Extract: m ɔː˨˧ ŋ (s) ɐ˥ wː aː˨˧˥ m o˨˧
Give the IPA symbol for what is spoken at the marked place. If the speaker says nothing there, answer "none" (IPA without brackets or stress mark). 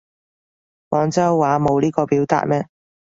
t͡s